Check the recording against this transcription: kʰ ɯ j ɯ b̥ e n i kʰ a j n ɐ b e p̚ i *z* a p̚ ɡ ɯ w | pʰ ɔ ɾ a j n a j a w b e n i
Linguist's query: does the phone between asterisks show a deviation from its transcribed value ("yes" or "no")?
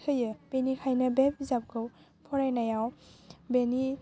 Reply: no